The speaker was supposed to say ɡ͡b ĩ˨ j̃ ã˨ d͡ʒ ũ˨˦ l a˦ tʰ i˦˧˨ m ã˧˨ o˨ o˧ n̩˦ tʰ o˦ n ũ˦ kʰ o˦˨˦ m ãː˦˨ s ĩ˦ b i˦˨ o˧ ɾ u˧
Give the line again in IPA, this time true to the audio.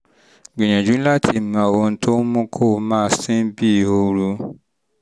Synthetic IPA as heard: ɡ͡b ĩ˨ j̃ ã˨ d͡ʒ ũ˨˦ l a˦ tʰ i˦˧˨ m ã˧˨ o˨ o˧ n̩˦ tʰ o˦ m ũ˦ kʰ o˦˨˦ m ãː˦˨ s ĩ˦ b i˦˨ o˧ ɾ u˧